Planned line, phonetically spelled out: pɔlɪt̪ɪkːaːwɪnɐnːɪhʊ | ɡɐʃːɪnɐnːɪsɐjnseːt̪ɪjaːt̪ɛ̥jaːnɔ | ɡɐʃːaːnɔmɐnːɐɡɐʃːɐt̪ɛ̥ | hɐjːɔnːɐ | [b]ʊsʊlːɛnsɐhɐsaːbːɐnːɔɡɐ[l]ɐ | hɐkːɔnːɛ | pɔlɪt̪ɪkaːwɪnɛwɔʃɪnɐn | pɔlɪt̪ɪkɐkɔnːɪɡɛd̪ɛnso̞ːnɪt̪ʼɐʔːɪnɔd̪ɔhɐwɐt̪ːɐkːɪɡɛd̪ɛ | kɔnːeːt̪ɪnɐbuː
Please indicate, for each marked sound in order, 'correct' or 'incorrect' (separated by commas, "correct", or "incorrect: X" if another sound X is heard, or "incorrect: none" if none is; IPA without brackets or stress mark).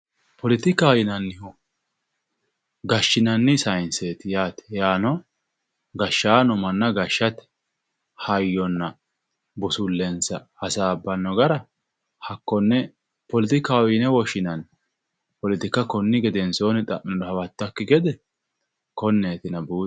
correct, incorrect: ɾ